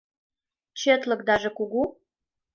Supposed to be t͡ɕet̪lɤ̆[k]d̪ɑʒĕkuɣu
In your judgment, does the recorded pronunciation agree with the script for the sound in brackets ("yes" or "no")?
yes